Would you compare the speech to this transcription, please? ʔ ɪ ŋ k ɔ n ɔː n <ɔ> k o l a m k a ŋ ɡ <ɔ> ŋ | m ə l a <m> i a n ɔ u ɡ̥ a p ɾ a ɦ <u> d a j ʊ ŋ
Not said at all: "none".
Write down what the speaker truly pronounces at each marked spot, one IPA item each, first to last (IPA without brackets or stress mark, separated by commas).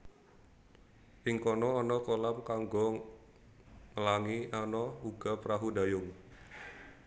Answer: ɔ, ɔ, ŋ, u